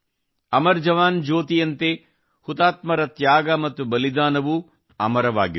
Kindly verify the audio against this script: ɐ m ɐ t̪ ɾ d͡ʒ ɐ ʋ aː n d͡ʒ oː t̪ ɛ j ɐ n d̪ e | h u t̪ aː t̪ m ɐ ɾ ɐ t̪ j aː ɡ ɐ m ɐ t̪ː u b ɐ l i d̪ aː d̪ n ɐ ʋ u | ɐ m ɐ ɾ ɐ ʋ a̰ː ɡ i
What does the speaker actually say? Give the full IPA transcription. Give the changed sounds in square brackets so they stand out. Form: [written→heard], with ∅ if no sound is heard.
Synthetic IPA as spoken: ɐ m ɐ [t̪→∅] ɾ d͡ʒ ɐ ʋ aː n d͡ʒ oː t̪ [ɛ→i] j ɐ n [d̪→t̪] e | h u t̪ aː t̪ m ɐ ɾ ɐ t̪ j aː ɡ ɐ m ɐ t̪ː u b ɐ l i d̪ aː [d̪→∅] n ɐ ʋ u | ɐ m ɐ ɾ ɐ ʋ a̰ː ɡ i